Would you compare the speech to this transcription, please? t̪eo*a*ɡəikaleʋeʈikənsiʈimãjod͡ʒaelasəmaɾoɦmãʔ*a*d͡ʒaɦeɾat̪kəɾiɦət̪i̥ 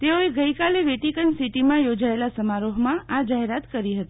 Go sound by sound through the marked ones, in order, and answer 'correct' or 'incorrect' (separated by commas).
incorrect, correct